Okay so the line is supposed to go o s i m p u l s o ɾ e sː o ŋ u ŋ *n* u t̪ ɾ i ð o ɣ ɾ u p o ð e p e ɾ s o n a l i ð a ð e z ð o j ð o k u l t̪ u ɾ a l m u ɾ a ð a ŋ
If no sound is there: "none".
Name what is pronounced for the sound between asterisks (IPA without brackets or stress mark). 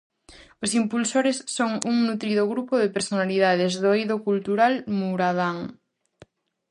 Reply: n